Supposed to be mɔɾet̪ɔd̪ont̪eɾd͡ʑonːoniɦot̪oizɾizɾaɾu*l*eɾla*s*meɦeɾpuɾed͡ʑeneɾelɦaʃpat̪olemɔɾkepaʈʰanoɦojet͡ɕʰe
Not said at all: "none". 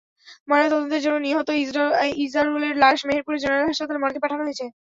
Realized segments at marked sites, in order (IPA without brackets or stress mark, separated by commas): l, ʃ